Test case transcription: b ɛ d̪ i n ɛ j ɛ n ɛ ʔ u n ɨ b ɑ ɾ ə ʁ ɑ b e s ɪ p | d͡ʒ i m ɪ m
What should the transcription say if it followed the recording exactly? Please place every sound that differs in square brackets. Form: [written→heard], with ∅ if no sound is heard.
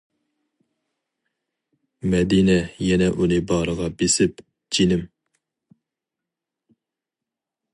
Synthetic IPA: [b→m] ɛ d̪ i n ɛ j ɛ n ɛ ʔ u n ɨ b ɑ ɾ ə ʁ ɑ b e s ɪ p | d͡ʒ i [m→n] ɪ m